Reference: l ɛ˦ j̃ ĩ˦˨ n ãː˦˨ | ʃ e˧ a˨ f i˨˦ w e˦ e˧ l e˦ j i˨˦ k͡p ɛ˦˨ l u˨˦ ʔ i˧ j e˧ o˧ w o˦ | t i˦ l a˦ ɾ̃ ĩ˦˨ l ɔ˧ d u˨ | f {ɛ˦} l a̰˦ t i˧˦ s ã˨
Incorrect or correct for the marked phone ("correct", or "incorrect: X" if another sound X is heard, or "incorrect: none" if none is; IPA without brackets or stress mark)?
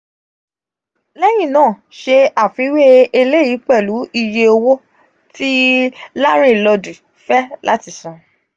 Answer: correct